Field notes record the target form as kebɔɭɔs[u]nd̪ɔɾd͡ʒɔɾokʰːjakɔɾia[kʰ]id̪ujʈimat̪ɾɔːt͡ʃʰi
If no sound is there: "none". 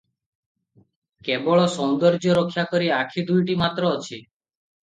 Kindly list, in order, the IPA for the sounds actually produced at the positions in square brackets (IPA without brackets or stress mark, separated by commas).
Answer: ɔ, kʰ